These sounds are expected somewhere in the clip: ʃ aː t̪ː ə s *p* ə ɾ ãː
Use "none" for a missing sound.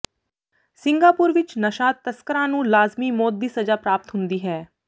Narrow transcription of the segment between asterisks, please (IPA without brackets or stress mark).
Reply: k